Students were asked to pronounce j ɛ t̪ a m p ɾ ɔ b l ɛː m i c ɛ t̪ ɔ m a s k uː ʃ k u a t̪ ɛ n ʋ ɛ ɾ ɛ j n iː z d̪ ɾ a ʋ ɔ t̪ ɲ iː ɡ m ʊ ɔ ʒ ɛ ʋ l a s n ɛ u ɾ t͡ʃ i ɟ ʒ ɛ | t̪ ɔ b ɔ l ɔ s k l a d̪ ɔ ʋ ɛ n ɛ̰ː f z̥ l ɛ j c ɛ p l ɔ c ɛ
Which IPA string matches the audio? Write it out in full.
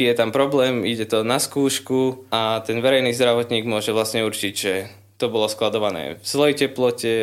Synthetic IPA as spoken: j ɛ t̪ a m p ɾ ɔ b l ɛː m i ɟ ɛ t̪ ɔ n a s k uː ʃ k u a t̪ ɛ n ʋ ɛ ɾ ɛ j n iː z d̪ ɾ a ʋ ɔ t̪ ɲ iː ɡ m ʊ ɔ ʒ ɛ ʋ l a s ɲ ɛ u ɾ t͡ʃ i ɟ ʒ ɛ | t̪ ɔ b ɔ l ɔ s k l a d̪ ɔ ʋ a n ɛ̰ː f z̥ l ɛ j c ɛ p l ɔ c ɛ